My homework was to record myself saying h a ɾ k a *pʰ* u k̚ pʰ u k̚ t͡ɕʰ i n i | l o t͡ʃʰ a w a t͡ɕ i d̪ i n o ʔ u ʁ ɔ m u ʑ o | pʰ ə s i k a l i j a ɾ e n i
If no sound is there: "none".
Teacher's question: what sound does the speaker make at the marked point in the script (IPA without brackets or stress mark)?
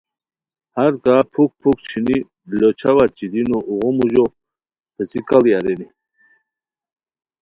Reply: pʰ